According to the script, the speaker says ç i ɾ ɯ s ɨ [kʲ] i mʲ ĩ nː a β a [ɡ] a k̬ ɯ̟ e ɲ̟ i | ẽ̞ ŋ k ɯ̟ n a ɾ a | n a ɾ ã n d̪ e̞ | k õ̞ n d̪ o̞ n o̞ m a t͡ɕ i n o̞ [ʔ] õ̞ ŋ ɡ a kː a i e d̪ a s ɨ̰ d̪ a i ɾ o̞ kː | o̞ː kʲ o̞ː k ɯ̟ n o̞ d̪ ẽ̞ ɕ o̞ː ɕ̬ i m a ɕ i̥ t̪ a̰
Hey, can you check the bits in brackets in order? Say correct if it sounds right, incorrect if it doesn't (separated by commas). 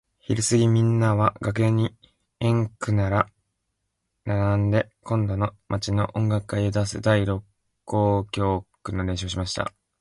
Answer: incorrect, correct, correct